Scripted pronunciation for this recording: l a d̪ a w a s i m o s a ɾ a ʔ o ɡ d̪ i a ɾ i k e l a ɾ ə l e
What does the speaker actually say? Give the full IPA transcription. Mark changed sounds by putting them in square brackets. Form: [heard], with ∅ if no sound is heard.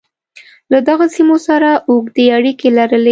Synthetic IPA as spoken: l a d̪ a [ɣ] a s i m o s a ɾ a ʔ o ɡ d̪ [e] a [ɽ] i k e l a ɾ ə l e